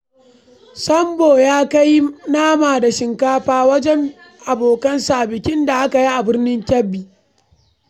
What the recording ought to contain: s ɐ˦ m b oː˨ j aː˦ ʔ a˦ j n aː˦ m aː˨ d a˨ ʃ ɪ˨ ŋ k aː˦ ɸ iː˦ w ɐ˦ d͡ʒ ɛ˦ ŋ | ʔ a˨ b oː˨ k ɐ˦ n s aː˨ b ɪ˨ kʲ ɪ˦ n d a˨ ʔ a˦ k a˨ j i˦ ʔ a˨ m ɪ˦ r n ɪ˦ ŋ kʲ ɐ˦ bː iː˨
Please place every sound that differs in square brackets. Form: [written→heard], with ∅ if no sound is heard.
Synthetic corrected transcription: s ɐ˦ m b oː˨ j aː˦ [ʔ→k] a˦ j n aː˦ m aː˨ d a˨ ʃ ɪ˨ ŋ k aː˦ ɸ [iː˦→aː˦] w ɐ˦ d͡ʒ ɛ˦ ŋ | ʔ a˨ b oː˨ k ɐ˦ n s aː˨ b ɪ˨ kʲ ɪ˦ n d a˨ ʔ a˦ k a˨ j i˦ ʔ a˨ [m→b] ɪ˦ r n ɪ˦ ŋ kʲ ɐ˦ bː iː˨